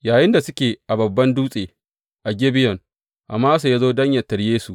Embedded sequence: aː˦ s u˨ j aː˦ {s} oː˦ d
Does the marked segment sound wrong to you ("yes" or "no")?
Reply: yes